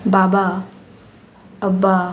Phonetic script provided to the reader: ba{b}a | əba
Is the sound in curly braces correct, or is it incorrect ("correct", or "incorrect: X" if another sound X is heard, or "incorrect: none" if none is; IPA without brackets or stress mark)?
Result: correct